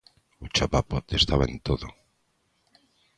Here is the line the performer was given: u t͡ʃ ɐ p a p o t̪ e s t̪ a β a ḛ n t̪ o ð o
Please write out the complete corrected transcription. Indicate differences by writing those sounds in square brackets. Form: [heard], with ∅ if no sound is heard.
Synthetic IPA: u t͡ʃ [a] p a p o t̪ e s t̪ a β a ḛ n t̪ o ð o